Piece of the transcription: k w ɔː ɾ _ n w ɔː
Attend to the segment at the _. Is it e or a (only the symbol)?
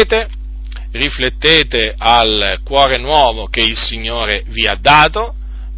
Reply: e